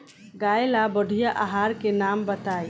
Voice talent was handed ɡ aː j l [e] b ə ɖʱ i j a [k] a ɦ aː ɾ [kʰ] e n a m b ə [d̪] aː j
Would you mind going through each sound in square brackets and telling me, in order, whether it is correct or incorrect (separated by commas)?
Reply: incorrect, incorrect, incorrect, incorrect